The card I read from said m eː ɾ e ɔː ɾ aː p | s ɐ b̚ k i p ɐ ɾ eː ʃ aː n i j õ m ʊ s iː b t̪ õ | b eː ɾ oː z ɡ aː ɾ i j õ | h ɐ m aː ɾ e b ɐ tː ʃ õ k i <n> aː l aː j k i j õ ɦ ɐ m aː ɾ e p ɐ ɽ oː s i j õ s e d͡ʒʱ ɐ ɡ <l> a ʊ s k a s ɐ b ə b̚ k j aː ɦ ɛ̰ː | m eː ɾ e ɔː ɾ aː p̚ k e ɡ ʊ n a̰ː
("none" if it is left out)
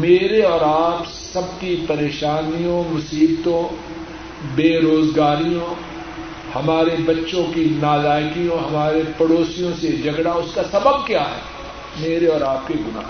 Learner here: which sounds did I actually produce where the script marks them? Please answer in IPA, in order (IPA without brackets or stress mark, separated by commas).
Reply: n, ɽ